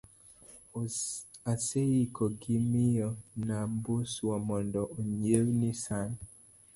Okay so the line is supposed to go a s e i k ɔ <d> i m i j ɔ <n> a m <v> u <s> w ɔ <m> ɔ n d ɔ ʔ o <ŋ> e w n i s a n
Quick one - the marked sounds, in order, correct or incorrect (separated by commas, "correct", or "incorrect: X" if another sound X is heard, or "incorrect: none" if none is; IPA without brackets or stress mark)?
incorrect: ɡ, correct, incorrect: b, correct, correct, incorrect: ɲ